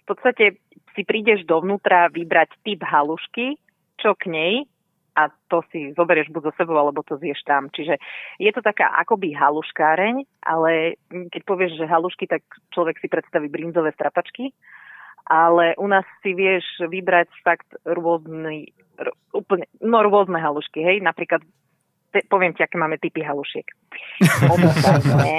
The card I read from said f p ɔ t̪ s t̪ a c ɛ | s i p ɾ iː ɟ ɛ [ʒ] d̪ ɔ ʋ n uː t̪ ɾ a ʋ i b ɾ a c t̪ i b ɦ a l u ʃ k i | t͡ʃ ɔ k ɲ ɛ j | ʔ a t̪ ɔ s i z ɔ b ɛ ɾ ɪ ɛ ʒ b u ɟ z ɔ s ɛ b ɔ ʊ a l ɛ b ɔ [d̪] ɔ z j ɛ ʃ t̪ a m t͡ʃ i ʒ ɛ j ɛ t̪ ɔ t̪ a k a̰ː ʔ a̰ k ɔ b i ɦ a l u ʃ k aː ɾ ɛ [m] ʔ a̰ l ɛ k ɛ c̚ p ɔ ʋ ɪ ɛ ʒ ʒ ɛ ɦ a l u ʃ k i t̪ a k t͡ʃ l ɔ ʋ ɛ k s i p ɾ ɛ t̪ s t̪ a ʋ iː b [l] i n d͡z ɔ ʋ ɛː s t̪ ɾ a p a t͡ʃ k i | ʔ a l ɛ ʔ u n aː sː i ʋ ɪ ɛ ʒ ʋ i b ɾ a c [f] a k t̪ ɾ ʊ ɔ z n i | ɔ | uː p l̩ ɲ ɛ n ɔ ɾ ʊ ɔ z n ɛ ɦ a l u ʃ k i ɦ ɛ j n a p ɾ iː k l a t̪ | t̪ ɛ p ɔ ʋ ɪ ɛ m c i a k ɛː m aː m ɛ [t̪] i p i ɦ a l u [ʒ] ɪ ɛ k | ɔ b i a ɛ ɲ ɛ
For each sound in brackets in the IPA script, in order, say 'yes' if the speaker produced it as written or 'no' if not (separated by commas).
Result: yes, no, no, no, yes, yes, no